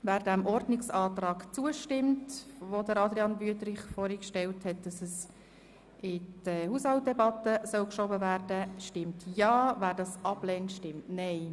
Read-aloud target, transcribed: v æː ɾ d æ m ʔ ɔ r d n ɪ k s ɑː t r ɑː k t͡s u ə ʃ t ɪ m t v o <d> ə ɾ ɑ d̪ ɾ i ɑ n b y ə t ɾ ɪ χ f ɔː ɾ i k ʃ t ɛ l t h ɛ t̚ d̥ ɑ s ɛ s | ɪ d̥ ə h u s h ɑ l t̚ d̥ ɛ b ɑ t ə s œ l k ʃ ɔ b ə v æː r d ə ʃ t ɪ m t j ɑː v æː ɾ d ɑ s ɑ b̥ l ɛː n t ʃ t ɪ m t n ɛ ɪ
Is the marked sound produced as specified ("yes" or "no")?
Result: yes